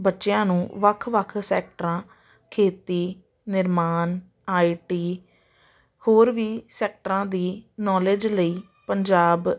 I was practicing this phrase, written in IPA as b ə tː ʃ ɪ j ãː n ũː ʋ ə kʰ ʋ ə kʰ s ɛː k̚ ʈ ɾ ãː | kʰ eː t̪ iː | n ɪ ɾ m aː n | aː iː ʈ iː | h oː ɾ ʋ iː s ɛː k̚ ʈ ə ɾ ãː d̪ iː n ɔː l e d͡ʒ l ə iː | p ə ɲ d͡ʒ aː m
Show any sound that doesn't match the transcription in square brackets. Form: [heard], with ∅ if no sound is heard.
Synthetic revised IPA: b ə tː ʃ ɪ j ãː n ũː ʋ ə kʰ ʋ ə kʰ s ɛː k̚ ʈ ɾ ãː | kʰ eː t̪ iː | n ɪ ɾ m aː n | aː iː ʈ iː | h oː ɾ ʋ iː s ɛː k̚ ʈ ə ɾ ãː d̪ iː n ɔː l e d͡ʒ l ə iː | p ə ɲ d͡ʒ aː [b]